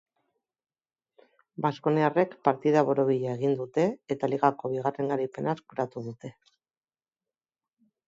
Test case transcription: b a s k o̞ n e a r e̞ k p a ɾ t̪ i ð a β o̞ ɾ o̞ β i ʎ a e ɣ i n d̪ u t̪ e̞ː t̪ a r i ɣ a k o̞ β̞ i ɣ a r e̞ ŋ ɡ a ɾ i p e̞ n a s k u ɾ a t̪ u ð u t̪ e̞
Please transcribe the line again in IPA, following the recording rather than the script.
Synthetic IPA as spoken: b a s k o̞ n e a r e̞ k p a ɾ t̪ i ð a β o̞ ɾ o̞ β i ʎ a e ɣ i n d̪ u t̪ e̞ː t̪ a l i ɣ a k o̞ β̞ i ɣ a r e̞ ŋ ɡ a ɾ i p e̞ n a s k u ɾ a t̪ u ð u t̪ e̞